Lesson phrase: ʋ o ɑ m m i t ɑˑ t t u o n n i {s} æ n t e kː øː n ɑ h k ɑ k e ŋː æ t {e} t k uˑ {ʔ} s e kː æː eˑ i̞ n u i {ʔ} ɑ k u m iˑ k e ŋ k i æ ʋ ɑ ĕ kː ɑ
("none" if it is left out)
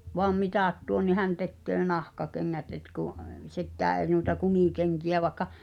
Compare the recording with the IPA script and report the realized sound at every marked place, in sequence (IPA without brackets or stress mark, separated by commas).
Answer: h, e, ʔ, t